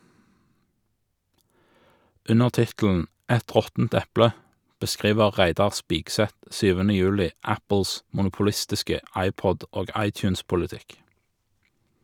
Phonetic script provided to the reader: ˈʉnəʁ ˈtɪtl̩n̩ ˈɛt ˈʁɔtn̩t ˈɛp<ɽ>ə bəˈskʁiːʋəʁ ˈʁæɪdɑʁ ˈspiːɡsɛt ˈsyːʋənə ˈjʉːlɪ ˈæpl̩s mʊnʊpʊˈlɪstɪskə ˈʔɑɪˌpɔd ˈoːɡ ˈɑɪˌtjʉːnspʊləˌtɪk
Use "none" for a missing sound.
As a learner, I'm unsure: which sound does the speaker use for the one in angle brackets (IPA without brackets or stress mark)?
l